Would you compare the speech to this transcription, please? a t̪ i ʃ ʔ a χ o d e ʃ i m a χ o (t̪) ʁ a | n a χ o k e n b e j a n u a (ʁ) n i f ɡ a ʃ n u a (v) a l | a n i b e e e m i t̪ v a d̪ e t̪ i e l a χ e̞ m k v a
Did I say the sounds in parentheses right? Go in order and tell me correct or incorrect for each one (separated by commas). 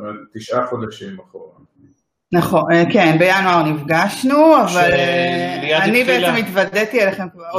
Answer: incorrect, correct, correct